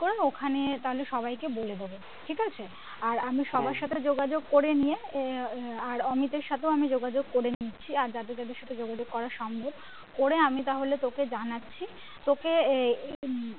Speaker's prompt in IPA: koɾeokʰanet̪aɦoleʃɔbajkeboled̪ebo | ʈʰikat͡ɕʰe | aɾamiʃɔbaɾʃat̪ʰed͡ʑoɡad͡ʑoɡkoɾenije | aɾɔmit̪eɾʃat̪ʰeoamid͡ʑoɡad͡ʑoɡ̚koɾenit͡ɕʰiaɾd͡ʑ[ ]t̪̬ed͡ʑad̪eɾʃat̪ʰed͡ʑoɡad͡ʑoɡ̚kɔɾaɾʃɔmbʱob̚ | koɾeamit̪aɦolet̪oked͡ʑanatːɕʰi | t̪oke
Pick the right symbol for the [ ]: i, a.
a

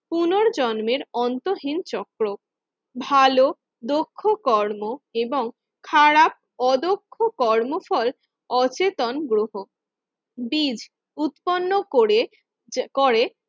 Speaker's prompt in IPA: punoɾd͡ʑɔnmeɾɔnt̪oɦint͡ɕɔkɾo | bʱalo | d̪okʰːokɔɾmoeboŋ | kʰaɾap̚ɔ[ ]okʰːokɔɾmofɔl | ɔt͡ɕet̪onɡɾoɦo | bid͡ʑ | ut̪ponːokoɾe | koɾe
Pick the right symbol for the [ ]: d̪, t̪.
d̪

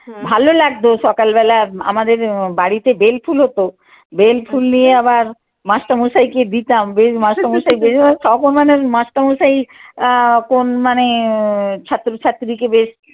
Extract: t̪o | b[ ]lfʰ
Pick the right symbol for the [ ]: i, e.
e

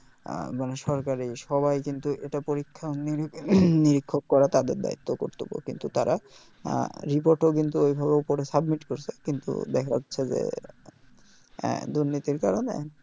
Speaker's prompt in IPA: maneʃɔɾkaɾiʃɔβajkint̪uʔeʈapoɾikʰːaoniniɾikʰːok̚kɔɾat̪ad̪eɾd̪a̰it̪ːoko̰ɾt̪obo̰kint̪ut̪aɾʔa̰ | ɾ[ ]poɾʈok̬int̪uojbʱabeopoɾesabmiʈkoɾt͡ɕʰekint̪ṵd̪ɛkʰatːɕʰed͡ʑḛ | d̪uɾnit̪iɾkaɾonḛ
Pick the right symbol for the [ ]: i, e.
i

